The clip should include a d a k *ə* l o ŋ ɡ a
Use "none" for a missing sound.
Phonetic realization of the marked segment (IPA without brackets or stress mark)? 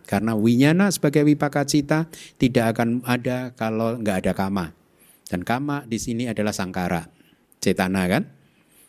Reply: a